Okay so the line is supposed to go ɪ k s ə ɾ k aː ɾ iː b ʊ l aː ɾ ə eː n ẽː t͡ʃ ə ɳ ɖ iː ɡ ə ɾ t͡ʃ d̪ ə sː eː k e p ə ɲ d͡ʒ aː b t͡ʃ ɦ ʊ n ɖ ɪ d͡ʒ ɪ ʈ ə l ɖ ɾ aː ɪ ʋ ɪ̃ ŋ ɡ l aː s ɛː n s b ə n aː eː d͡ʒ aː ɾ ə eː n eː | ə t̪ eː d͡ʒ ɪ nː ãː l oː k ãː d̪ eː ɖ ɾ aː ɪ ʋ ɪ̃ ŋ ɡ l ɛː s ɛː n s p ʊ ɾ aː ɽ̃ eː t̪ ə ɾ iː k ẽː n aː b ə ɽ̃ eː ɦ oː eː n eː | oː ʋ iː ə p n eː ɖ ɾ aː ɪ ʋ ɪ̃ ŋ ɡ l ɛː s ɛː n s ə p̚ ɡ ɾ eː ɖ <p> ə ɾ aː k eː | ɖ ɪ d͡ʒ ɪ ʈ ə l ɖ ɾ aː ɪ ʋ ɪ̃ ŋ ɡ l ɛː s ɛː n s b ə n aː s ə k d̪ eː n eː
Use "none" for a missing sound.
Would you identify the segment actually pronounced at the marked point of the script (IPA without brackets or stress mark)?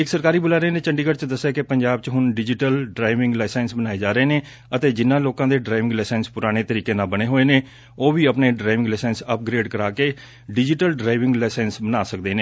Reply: k